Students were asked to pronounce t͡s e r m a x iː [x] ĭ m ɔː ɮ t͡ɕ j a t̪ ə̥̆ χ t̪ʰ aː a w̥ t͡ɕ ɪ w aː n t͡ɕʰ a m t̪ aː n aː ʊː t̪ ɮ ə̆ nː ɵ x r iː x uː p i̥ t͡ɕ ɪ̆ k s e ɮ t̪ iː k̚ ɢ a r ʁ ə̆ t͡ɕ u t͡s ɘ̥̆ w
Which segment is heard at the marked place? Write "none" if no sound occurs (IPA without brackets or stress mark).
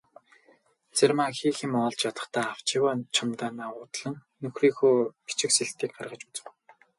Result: x